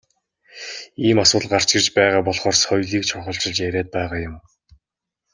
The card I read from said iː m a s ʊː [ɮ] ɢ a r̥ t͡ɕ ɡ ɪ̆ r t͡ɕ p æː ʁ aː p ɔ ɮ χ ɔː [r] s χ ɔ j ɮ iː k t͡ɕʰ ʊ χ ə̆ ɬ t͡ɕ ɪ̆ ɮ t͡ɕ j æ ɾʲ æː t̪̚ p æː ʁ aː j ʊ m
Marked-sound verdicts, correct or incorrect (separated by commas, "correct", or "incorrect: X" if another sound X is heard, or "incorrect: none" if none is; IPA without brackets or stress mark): correct, correct